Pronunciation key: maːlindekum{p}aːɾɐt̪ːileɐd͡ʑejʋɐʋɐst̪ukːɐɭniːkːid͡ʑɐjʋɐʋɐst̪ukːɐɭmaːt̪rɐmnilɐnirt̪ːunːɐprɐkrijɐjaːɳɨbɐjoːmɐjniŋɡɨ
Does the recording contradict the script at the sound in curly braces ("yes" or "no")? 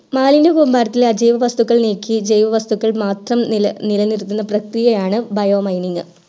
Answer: yes